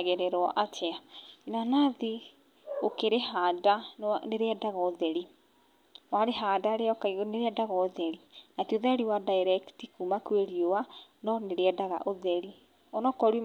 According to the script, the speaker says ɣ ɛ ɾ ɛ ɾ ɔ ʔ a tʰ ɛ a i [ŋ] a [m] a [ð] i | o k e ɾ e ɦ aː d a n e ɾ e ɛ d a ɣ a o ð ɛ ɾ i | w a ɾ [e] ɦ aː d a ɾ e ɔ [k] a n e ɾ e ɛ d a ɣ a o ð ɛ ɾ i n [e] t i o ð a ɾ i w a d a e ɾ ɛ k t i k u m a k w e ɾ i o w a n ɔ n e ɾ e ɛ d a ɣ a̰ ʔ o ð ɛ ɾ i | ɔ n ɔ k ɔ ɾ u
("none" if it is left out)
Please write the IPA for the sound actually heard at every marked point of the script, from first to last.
n, n, ð, e, k, a

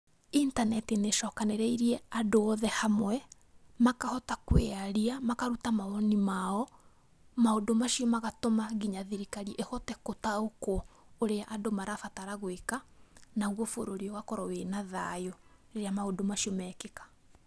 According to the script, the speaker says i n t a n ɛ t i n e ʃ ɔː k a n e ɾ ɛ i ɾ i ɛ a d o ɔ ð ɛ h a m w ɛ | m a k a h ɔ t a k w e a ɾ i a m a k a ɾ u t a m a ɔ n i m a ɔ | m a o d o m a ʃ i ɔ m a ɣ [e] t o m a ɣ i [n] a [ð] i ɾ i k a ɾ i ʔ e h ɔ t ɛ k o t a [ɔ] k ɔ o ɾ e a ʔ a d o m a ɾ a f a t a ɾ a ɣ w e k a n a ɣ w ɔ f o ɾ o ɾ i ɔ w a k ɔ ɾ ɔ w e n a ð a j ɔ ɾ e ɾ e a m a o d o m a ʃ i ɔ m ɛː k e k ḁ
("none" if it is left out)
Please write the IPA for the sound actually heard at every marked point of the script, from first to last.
a, ɲ, ð, o

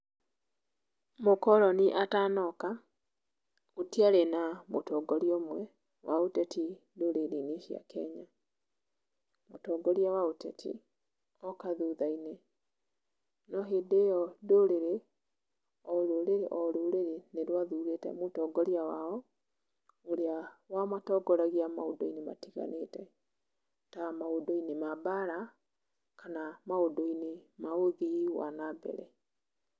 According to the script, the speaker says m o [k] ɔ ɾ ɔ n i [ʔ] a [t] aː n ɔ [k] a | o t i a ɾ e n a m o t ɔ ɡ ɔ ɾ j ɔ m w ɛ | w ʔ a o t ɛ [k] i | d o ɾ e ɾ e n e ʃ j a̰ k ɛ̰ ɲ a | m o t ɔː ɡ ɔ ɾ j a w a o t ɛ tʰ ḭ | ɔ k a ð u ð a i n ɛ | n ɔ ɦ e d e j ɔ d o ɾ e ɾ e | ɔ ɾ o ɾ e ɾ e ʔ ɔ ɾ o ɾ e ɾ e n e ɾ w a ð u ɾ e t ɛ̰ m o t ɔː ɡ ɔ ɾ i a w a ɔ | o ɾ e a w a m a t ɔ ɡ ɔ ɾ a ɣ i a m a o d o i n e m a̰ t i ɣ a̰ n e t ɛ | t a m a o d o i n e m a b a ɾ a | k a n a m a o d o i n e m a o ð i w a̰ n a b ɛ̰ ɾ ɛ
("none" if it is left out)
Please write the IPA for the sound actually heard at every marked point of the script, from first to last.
k, ʔ, t, k, t

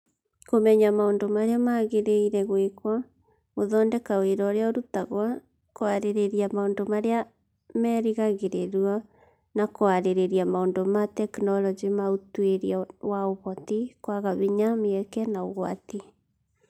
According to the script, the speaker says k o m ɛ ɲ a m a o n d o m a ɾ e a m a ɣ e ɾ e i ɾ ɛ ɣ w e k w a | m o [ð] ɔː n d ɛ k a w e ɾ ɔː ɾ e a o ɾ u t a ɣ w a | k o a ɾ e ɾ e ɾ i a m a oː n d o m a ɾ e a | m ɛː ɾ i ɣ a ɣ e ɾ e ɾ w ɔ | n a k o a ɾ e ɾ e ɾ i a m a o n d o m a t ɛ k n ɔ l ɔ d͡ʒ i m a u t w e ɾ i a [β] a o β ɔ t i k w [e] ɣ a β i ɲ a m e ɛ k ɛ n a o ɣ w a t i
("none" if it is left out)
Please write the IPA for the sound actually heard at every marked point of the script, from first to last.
ð, w, a

